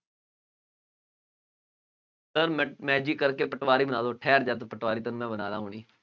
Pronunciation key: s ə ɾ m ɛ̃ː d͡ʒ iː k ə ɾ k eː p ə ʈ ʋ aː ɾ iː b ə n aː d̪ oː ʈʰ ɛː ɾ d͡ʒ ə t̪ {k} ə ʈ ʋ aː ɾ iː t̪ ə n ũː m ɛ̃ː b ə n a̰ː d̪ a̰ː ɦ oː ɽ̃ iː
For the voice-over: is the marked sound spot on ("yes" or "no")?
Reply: no